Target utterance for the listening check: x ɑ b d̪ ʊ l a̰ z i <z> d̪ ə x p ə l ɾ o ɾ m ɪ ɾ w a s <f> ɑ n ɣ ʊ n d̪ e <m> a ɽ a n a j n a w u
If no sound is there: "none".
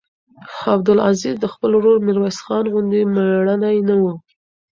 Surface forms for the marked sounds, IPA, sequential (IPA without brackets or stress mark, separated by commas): z, x, m